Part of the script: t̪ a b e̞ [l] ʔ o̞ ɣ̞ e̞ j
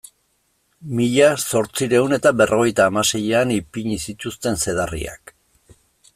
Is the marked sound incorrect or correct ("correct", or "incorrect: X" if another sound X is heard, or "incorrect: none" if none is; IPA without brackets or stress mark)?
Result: incorrect: r